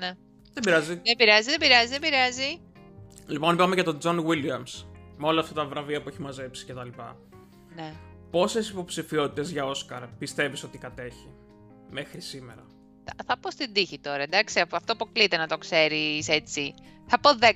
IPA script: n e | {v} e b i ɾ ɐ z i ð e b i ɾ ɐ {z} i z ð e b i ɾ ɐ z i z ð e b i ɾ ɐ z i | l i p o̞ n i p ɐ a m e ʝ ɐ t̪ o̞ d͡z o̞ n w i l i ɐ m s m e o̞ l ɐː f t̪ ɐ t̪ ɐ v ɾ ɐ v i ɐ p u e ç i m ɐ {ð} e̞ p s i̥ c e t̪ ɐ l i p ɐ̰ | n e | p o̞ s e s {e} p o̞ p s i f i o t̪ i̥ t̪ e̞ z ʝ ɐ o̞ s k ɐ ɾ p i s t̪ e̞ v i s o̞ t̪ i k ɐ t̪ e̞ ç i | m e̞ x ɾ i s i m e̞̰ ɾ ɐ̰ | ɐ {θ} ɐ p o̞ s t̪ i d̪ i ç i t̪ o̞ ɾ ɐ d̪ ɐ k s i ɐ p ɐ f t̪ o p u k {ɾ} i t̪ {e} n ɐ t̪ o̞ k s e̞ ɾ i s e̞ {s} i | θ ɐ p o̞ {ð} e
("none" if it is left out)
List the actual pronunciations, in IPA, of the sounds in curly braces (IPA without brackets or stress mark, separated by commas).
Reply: ð, z, z, i, θ, l, e, t͡s, ð